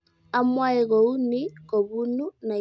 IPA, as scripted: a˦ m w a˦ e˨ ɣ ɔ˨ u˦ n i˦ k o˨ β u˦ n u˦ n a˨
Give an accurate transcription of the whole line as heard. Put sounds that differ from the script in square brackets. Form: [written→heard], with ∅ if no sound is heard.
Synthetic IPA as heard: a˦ m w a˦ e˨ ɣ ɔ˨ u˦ n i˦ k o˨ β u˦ n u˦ n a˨